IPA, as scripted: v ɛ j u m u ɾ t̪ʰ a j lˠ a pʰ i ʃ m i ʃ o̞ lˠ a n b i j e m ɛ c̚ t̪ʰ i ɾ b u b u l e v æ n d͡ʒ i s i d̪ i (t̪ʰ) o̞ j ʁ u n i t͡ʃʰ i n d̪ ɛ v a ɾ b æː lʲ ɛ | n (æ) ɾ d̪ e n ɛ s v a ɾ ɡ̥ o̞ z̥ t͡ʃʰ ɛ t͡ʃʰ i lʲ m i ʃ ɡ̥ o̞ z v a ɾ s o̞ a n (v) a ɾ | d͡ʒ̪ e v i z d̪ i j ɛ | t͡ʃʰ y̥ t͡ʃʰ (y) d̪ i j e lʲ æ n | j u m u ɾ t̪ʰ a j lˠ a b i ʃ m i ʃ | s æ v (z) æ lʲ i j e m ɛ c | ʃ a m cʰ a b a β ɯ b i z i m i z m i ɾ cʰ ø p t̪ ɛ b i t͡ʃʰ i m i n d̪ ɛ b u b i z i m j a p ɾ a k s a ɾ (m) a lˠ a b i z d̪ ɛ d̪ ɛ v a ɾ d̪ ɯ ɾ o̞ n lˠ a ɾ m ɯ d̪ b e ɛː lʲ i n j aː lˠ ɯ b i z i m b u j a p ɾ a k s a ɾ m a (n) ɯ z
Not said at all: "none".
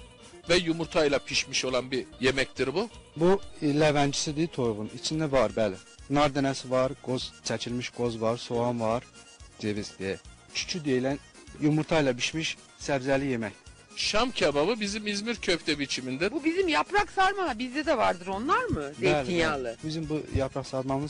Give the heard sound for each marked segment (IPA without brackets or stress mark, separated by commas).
t̪ʰ, a, v, y, z, m, m